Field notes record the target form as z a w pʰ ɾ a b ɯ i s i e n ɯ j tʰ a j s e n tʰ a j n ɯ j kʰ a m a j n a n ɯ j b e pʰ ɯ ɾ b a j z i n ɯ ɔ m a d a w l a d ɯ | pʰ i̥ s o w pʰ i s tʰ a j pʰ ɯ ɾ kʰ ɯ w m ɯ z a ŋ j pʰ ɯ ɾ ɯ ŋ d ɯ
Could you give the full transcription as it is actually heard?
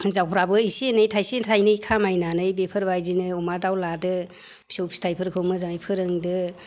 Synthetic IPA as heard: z a w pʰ ɾ a b ɯ i s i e n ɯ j tʰ a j s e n tʰ a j n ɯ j kʰ a m a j n a n ɯ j b e pʰ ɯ ɾ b a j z i n ɯ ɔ m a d a w l a d ɯ | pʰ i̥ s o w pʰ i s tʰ a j pʰ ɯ ɾ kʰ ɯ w m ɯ z a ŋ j pʰ ɯ ɾ ɯ ŋ d ɯ